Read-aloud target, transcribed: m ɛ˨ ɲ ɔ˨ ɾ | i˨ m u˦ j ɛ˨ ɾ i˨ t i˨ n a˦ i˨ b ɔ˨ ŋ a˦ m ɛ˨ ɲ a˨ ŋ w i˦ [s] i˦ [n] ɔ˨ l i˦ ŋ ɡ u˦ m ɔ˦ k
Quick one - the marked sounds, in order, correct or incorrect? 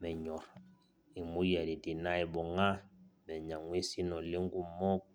correct, correct

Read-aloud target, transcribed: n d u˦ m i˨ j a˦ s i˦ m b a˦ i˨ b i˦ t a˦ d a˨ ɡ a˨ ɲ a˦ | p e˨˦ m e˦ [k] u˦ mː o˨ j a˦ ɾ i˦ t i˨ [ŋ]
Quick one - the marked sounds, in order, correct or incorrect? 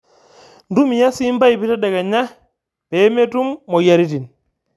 incorrect: t, incorrect: n

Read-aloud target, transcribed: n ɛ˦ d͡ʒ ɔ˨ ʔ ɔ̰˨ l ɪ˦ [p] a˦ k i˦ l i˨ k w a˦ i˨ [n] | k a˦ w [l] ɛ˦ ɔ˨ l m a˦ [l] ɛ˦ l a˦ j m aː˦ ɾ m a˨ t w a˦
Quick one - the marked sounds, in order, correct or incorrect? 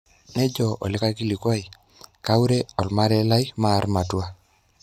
incorrect: k, incorrect: none, incorrect: ɾ, incorrect: ɾ

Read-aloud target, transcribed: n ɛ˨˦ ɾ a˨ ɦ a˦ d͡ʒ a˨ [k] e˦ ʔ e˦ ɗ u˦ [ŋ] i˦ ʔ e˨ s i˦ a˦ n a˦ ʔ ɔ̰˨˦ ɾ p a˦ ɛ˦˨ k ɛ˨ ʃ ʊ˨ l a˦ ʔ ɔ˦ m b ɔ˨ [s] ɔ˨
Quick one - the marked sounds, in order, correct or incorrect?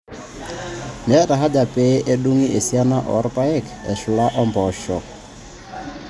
incorrect: p, correct, incorrect: ʃ

